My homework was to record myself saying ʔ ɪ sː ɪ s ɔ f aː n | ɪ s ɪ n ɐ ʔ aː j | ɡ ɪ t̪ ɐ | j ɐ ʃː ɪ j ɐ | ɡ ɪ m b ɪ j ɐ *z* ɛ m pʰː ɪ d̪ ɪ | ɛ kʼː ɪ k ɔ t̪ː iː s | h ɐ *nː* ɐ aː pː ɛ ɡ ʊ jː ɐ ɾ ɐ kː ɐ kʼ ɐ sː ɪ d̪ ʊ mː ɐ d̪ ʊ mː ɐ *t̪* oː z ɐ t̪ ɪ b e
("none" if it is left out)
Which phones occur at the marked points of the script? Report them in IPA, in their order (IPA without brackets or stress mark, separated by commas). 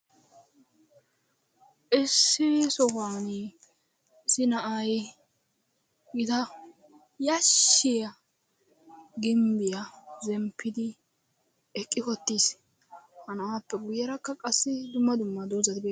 z, n, d̪